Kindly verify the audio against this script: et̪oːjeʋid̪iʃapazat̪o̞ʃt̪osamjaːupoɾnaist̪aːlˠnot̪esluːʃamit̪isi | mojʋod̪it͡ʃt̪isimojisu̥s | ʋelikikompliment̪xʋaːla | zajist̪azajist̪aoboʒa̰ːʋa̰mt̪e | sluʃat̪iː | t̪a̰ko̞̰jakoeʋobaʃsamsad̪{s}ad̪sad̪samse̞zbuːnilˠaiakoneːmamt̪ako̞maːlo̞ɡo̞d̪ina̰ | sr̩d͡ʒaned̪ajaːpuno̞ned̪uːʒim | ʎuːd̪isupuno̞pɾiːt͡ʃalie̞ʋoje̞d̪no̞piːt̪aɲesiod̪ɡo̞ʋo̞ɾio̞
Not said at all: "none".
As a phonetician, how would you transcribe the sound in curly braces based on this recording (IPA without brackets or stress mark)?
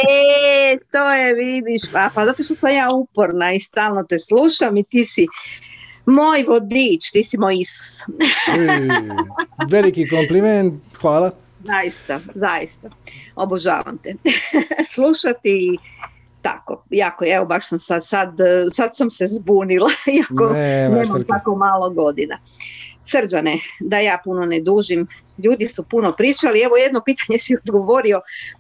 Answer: s